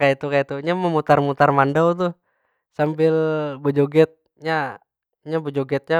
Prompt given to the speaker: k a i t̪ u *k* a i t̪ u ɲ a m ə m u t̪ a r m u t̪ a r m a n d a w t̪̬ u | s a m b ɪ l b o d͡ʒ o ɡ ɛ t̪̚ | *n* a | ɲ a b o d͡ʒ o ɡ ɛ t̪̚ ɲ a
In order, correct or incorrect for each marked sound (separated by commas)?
correct, incorrect